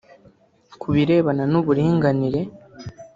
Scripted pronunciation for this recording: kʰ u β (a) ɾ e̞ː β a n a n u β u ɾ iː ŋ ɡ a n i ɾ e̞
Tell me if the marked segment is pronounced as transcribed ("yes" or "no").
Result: no